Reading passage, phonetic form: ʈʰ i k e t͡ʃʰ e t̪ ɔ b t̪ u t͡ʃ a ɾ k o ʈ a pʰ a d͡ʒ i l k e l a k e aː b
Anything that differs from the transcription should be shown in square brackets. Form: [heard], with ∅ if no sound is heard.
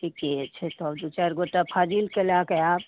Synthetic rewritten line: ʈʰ i k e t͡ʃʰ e t̪ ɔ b [d̪] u t͡ʃ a ɾ [ɡ] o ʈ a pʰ a d͡ʒ i l k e l a k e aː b